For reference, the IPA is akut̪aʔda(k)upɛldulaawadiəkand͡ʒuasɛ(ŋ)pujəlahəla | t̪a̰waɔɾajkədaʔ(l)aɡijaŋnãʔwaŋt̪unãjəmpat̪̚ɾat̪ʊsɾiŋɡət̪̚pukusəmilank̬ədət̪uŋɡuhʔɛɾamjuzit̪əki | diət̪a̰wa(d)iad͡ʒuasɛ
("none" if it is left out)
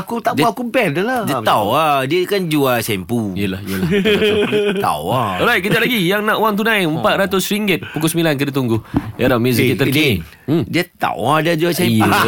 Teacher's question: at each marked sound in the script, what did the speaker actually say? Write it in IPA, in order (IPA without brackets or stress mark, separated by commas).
k, m, l, d